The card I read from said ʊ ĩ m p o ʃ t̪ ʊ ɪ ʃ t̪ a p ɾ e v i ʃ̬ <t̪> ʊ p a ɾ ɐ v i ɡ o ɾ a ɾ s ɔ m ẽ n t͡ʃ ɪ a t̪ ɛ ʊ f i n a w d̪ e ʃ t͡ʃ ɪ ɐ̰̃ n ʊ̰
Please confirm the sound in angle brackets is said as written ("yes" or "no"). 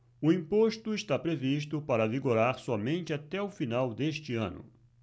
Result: yes